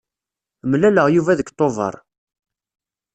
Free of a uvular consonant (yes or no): no